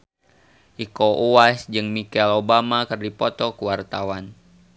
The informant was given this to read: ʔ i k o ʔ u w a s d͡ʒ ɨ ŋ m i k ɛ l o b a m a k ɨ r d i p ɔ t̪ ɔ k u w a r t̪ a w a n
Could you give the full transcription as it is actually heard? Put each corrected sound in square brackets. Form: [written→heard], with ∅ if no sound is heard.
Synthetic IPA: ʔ i k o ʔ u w a s d͡ʒ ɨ ŋ m i k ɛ l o b a m a k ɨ r d i p ɔ t̪ ɔ k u w a r t̪ a w a n